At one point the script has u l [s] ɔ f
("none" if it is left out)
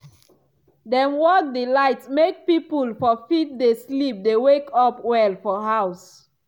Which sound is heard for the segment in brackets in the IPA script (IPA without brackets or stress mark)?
f